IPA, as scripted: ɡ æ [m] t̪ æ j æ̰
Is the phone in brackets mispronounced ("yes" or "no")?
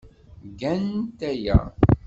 yes